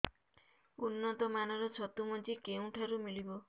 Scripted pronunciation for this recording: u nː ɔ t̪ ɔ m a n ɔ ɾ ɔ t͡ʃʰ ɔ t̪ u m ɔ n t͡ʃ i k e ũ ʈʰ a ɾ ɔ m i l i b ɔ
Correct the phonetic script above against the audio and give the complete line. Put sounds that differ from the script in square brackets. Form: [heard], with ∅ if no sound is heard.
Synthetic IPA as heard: u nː ɔ t̪ ɔ m a n ɔ ɾ ɔ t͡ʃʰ ɔ t̪ u m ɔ n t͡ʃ i k e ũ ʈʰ a ɾ [u] m i l i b ɔ

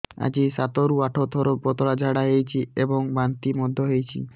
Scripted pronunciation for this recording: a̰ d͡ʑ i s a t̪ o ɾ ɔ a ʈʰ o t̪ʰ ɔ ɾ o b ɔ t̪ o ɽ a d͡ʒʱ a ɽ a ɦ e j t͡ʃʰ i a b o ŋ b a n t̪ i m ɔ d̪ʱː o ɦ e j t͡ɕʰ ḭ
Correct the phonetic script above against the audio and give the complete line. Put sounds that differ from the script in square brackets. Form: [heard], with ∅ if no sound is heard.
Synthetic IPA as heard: a̰ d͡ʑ i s a t̪ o ɾ [u] a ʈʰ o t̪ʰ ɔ ɾ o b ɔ t̪ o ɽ a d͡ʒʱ a ɽ a ɦ e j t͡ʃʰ i [e] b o ŋ b a n t̪ i m ɔ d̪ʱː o ɦ e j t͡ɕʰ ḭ

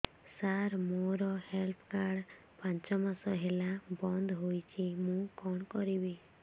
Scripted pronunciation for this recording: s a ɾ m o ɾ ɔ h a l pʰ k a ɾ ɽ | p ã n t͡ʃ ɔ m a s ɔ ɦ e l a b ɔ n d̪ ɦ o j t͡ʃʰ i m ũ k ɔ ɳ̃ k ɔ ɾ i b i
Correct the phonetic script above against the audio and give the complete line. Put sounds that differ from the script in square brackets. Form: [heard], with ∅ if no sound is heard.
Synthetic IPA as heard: s a ɾ m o ɾ ɔ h [e] l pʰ k a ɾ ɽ | p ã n t͡ʃ ɔ m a s ɔ ɦ e l a b ɔ n d̪ ɦ o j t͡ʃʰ i m ũ k ɔ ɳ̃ k ɔ ɾ i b i

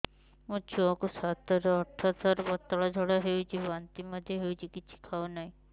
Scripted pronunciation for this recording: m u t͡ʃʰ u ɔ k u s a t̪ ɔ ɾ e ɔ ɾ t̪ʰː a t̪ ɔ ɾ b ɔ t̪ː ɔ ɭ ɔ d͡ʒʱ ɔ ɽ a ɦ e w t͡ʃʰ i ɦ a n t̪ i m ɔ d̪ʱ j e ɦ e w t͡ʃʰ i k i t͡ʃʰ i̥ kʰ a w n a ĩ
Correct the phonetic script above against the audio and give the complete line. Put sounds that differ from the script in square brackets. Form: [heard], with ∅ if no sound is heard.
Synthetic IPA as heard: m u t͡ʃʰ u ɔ k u s a t̪ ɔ ɾ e ɔ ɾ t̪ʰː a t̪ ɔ ɾ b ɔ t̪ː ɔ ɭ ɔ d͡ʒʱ ɔ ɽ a ɦ e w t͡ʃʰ i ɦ a n t̪ i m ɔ d̪ʱ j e ɦ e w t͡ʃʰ i k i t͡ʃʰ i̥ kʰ a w n a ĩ

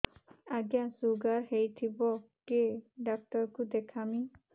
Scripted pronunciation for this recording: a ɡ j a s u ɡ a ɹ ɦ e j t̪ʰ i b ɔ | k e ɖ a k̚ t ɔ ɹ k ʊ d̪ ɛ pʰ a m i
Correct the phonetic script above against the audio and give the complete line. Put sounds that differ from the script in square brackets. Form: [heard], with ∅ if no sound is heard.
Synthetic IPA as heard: a ɡ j a s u ɡ a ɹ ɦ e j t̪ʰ i b ɔ | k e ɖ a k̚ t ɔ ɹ k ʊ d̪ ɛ [kʰ] a m i

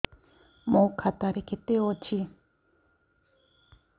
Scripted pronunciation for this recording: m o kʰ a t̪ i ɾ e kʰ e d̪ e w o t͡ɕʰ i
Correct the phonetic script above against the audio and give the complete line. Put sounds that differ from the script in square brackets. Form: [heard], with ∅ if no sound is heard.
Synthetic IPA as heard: m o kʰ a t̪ [a] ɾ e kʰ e [t̪] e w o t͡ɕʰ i

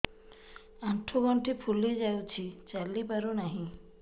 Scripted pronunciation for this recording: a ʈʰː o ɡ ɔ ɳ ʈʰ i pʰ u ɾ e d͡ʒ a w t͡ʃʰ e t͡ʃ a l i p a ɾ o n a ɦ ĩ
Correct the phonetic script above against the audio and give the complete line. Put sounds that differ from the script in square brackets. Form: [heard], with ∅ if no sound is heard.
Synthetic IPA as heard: a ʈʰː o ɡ ɔ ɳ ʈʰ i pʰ u [l] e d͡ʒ a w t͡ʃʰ [i] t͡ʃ a l i p a ɾ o n a ɦ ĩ

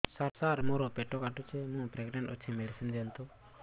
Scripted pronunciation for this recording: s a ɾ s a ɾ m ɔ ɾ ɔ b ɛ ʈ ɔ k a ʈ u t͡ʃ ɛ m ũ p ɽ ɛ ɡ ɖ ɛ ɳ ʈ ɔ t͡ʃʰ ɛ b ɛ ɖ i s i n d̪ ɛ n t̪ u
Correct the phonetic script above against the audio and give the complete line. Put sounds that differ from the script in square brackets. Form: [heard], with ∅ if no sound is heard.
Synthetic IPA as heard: s a ɾ s a ɾ m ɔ ɾ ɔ [p] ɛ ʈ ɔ k a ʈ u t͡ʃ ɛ m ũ p [ɾ] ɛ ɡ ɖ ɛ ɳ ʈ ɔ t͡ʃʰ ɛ [m] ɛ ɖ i s i n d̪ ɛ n t̪ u

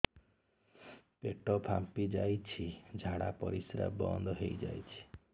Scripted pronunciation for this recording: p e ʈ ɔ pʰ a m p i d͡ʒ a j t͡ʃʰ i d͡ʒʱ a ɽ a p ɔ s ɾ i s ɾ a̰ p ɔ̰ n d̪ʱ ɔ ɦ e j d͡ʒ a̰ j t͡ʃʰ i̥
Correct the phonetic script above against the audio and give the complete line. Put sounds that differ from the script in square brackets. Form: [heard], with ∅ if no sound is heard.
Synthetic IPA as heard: p e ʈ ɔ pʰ a m p i d͡ʒ a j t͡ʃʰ i d͡ʒʱ a ɽ a p ɔ [∅] ɾ i s ɾ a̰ [b] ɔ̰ n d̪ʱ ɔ ɦ e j d͡ʒ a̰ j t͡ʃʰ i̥

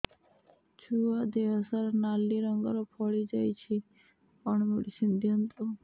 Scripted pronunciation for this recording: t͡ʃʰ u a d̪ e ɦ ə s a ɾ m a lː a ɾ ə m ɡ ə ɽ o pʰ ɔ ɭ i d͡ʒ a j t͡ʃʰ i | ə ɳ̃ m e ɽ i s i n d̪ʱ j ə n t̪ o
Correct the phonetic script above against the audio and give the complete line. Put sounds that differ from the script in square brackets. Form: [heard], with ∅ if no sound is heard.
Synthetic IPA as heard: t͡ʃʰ u a d̪ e ɦ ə s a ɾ [n] a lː [i] ɾ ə [ŋ] ɡ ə [ɾ] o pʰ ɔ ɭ i d͡ʒ a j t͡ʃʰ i | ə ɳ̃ m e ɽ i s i n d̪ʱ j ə n t̪ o

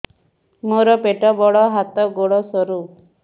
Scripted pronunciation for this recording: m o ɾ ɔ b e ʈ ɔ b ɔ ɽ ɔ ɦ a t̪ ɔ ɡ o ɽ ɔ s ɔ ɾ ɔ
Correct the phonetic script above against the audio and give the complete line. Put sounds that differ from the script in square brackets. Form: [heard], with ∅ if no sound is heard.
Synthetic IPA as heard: m o ɾ ɔ [p] e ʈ ɔ b ɔ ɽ ɔ ɦ a t̪ ɔ ɡ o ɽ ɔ s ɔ ɾ [u]

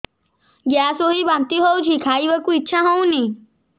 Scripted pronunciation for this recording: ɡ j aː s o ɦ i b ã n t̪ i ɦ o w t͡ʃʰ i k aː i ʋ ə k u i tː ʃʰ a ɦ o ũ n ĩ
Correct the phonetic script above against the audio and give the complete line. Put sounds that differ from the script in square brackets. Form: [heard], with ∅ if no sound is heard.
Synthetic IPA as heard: ɡ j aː s o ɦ i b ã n t̪ i ɦ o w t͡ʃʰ i [kʰ] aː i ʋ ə k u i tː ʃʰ a ɦ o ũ n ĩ

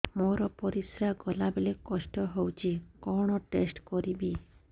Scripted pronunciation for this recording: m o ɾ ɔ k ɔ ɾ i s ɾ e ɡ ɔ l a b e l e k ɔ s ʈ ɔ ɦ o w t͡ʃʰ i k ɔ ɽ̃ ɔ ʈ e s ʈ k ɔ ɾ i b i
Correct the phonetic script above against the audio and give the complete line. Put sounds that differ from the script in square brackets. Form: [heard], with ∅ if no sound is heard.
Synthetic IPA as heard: m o ɾ ɔ [p] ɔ ɾ i s ɾ [a] ɡ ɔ l a b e l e k ɔ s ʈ ɔ ɦ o w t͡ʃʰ i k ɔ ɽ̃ ɔ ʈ e s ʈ k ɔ ɾ i b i

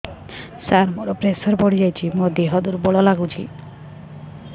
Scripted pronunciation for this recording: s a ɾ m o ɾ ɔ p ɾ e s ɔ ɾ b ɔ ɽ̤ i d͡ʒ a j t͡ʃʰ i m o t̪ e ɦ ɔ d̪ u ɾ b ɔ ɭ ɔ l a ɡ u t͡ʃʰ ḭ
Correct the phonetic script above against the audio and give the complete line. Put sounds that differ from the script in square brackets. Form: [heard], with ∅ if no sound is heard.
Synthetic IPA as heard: s a ɾ m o ɾ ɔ p ɾ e s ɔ ɾ b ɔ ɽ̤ i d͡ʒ a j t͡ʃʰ i m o [d̪] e ɦ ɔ d̪ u ɾ b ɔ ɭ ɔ l a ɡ u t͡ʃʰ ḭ

